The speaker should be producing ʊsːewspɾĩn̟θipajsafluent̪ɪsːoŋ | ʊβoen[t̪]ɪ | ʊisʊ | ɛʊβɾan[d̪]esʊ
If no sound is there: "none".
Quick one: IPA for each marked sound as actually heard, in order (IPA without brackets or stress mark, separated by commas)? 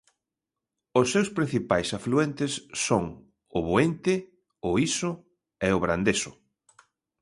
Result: t̪, d̪